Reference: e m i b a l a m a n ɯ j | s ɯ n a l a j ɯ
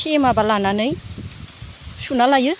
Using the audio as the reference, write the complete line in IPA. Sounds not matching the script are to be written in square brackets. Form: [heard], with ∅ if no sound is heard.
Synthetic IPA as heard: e m [a] b a l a [n] a n ɯ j | s [u] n a l a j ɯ